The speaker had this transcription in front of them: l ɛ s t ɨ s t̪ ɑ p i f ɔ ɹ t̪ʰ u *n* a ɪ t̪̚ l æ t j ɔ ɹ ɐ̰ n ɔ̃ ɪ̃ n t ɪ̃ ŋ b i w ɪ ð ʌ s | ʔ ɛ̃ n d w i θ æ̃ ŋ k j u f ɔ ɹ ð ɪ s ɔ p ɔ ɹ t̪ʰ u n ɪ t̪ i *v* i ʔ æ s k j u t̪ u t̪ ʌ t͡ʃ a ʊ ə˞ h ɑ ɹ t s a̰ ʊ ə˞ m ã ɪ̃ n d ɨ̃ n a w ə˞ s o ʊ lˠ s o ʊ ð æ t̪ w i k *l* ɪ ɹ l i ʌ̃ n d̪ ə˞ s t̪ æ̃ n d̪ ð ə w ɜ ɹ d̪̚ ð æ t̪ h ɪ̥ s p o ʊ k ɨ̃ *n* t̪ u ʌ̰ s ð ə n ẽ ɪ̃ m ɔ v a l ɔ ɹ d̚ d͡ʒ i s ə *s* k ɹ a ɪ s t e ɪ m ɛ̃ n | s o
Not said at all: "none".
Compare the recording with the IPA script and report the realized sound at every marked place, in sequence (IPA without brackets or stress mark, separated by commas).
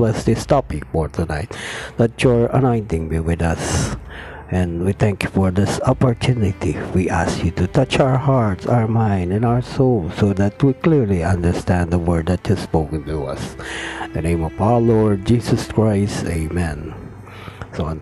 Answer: n, w, l, n, s